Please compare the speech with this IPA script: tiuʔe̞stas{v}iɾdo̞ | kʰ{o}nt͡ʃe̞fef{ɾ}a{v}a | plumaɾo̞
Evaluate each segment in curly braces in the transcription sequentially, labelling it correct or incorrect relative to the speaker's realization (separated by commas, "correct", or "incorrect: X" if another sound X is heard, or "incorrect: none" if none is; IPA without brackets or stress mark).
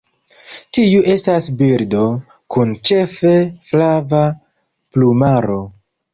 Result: incorrect: b, incorrect: u, incorrect: l, correct